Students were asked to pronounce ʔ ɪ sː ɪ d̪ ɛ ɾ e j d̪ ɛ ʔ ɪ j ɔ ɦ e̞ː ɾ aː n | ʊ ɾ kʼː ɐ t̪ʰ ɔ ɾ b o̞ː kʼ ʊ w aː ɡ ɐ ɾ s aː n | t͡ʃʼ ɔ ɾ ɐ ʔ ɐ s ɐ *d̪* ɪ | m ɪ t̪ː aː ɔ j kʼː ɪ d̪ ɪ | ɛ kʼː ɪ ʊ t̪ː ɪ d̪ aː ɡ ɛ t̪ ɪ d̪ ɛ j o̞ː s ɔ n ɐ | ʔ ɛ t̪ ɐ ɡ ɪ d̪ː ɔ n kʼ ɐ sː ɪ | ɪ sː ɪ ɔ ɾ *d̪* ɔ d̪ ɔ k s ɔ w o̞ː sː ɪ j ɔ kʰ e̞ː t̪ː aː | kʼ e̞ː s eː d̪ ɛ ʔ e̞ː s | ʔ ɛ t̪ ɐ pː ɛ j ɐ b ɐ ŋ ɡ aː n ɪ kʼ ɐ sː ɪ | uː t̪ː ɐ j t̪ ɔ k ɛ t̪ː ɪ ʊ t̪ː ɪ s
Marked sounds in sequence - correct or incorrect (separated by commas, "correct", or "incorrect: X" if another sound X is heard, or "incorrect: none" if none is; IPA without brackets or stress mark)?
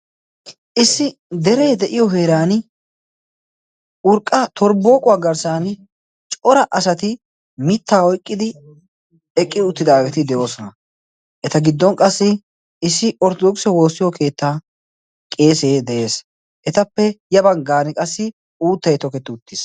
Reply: incorrect: t̪, incorrect: t̪